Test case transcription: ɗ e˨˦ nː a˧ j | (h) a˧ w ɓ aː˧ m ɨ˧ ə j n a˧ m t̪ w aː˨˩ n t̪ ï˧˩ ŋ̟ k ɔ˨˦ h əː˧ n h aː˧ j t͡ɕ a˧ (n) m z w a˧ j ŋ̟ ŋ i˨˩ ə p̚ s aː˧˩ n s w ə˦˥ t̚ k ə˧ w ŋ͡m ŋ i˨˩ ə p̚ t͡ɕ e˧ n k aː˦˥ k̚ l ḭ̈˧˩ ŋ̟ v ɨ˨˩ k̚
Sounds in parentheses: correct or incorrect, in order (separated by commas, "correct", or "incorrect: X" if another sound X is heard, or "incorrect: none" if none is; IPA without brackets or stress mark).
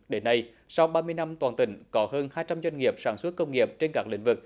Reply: incorrect: s, incorrect: none